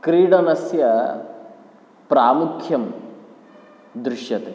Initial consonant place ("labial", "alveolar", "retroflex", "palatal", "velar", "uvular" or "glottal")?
velar